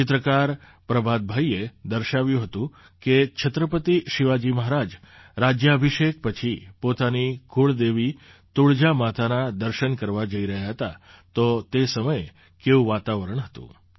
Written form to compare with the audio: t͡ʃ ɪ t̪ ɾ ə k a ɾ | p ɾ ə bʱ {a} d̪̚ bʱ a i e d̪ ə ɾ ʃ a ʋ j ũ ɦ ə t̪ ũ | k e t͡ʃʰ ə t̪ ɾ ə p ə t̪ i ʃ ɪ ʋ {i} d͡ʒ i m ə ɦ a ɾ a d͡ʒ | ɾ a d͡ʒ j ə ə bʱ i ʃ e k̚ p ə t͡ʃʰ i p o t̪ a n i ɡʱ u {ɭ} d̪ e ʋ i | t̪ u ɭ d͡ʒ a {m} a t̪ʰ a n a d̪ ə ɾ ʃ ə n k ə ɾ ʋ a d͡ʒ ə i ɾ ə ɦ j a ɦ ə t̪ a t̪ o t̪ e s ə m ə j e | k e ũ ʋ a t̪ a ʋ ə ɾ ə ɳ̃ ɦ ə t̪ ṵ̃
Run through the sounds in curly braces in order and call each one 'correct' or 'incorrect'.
correct, incorrect: a, correct, correct

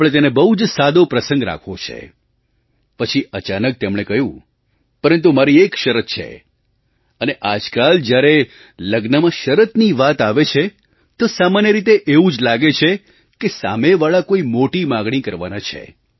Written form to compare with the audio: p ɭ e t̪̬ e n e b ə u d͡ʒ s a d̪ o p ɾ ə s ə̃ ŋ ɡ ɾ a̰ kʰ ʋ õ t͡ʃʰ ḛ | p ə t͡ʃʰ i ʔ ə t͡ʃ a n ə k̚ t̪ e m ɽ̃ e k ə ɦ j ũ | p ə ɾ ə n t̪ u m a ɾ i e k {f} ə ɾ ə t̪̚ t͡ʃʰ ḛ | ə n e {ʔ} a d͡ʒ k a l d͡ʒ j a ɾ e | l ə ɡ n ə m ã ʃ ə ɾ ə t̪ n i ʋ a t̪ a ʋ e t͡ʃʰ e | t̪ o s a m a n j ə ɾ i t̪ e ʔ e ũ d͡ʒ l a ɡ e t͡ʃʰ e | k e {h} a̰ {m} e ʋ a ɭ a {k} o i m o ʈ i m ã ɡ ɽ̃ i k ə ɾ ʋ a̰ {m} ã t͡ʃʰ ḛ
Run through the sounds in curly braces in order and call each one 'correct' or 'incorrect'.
incorrect: ʃ, correct, incorrect: s, correct, correct, incorrect: n

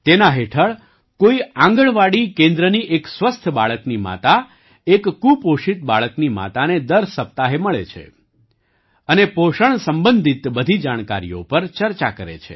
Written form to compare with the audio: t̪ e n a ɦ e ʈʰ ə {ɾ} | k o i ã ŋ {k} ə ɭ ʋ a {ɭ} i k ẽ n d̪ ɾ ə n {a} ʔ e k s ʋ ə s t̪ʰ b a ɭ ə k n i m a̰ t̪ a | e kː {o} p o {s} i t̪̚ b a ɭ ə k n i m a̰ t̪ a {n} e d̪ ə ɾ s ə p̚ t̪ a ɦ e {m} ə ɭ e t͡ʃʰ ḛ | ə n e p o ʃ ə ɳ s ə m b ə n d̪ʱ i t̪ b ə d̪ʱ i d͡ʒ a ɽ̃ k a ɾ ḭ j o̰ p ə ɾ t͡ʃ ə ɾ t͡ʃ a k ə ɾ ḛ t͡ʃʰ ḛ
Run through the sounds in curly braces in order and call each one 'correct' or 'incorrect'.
incorrect: ɭ, incorrect: ɡ, incorrect: ɽ, incorrect: i, incorrect: u, incorrect: ʃ, correct, correct

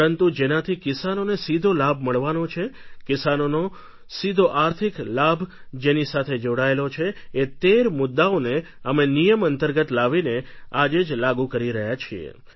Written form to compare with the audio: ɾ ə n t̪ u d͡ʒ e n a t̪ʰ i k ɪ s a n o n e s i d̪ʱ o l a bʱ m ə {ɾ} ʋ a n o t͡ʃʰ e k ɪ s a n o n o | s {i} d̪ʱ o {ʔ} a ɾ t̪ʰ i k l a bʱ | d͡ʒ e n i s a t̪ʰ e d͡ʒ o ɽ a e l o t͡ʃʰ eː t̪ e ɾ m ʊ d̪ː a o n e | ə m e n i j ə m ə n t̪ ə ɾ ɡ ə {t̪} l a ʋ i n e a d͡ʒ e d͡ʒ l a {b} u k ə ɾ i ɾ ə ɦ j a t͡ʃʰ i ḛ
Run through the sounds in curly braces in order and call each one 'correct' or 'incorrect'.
incorrect: ɭ, correct, correct, correct, incorrect: ɡ

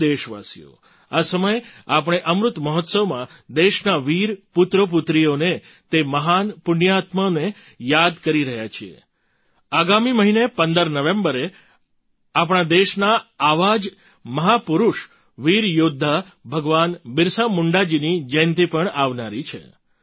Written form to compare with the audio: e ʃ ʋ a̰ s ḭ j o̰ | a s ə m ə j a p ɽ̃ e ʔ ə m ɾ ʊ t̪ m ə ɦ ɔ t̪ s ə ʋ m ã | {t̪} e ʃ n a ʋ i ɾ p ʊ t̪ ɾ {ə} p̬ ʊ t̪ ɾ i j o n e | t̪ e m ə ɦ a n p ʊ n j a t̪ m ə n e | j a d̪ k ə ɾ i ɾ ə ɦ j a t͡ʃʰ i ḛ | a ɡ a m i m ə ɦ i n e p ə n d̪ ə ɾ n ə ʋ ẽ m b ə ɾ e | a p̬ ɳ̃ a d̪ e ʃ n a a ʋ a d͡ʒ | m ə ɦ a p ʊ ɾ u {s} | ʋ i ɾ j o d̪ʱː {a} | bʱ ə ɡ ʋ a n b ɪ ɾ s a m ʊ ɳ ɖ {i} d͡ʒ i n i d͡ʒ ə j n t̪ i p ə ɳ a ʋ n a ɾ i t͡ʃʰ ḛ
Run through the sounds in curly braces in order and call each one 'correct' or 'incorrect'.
incorrect: d̪, correct, incorrect: ʃ, correct, incorrect: a

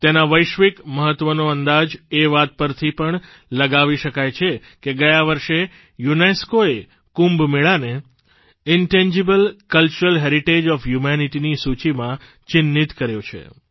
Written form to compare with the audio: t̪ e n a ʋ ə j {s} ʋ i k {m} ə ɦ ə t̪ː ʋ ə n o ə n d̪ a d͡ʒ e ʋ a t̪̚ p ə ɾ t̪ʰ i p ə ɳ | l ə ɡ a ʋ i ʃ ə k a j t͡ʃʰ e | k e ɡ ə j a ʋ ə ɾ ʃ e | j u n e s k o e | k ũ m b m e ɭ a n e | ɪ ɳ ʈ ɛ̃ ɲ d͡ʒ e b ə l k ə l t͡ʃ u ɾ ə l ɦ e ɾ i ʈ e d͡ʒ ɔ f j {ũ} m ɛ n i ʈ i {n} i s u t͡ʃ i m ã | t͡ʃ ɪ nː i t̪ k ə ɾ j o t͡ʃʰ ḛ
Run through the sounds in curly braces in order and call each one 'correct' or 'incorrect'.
incorrect: ʃ, correct, incorrect: u, correct

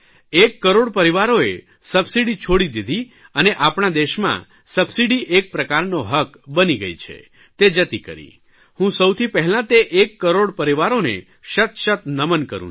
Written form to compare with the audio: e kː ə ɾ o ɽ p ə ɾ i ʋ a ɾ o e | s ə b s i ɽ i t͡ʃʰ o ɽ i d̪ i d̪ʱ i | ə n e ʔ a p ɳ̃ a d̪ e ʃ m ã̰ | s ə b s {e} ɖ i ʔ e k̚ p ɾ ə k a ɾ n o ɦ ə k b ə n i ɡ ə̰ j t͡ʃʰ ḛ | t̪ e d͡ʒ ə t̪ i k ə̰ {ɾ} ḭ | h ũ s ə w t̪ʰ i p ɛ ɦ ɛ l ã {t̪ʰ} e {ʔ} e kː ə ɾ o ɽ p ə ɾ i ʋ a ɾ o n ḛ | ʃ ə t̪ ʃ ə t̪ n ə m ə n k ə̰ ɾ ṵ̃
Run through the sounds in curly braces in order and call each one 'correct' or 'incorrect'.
incorrect: i, correct, incorrect: t̪, correct

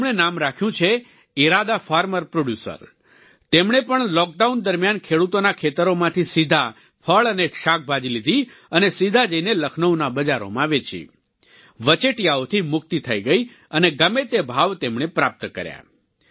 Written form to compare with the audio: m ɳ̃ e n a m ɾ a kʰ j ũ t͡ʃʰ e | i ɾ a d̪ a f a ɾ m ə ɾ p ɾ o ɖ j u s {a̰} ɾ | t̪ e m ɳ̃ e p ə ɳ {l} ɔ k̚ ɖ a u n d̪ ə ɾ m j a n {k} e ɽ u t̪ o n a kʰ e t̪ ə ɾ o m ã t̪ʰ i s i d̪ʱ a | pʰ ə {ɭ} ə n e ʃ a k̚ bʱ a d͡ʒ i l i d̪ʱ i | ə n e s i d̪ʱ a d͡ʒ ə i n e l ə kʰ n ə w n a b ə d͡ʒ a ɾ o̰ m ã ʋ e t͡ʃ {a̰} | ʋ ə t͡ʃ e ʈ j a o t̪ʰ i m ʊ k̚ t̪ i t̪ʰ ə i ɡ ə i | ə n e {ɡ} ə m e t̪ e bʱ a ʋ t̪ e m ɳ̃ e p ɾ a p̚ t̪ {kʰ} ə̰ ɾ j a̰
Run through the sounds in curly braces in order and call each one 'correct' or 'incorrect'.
incorrect: ə̰, correct, incorrect: kʰ, correct, incorrect: ḭ, correct, incorrect: k

